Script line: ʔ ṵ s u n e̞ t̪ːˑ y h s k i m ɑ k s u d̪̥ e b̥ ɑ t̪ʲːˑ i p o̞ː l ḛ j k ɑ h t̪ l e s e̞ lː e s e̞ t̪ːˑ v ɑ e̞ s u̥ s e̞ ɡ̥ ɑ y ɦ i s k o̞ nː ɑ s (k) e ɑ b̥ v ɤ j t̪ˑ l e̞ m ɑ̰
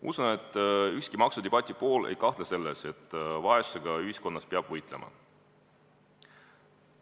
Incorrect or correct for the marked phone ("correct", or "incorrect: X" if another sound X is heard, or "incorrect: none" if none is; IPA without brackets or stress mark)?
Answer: incorrect: p